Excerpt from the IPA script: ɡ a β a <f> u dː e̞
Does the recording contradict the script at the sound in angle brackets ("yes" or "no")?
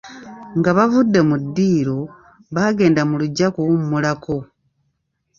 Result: yes